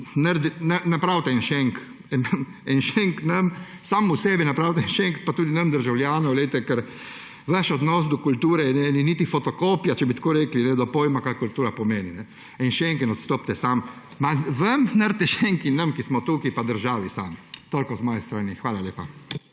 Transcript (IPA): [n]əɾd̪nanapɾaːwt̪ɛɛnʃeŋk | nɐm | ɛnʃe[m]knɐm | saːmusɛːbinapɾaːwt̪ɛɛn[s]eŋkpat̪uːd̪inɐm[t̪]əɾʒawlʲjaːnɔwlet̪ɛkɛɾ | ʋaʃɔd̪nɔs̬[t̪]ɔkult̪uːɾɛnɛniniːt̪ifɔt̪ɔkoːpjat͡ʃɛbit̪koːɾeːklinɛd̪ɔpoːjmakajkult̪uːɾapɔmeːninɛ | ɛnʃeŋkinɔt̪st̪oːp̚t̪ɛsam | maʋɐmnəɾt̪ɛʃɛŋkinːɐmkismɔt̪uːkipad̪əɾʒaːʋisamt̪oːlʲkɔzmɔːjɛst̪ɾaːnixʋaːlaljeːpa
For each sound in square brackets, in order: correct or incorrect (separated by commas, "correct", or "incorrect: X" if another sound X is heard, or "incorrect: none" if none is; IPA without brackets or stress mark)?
correct, incorrect: ŋ, incorrect: ʃ, incorrect: d̪, incorrect: d̪